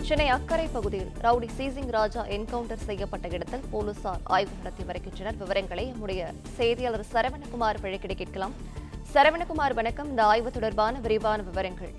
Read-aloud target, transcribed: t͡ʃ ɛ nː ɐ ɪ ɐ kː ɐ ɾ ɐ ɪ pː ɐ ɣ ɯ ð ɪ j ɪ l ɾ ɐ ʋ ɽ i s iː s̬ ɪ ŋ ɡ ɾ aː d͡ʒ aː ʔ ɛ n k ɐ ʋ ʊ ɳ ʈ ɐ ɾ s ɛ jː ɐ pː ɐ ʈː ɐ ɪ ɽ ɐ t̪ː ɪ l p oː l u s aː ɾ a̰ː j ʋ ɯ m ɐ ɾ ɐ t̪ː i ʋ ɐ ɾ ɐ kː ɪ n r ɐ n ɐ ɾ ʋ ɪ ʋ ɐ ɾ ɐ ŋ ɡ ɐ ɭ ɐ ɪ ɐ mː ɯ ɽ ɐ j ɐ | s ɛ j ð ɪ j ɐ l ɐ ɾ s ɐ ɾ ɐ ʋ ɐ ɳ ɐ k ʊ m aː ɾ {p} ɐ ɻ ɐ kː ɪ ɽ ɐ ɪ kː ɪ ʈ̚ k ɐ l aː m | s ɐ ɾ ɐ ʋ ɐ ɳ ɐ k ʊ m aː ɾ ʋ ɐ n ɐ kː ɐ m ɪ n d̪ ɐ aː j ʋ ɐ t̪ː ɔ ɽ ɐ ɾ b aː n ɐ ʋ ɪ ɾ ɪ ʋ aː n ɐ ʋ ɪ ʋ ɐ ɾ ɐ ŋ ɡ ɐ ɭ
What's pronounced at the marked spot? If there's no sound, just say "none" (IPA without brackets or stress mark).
p